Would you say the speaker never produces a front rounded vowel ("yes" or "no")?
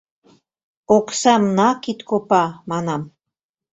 yes